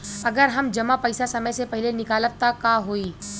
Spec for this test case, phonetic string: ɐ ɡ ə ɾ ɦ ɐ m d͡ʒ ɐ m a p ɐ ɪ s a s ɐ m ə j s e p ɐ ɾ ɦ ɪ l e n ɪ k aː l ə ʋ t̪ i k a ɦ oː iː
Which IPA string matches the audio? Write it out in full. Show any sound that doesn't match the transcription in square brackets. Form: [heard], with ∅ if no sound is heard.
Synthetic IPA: ɐ ɡ ə ɾ ɦ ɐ m d͡ʒ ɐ m a p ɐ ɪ s a s ɐ m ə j s e p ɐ [∅] ɦ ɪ l e n ɪ k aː l ə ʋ t̪ [a] k a ɦ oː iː